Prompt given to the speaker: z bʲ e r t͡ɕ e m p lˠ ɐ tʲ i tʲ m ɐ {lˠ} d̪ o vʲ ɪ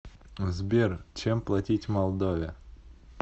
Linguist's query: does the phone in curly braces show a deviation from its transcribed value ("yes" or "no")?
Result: no